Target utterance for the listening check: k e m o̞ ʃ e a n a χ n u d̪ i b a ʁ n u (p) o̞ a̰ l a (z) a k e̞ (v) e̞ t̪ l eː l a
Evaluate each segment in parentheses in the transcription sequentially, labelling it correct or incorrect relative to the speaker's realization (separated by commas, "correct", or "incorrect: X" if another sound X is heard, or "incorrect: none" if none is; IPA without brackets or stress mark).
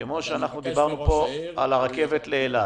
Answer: correct, incorrect: ʁ, correct